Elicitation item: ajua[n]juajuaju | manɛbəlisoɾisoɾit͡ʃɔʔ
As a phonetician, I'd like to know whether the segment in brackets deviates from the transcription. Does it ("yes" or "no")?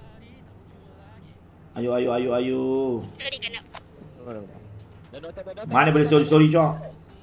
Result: yes